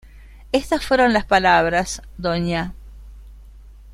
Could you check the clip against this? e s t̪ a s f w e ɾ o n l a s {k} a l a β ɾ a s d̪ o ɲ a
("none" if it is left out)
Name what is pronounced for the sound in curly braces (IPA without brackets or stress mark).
p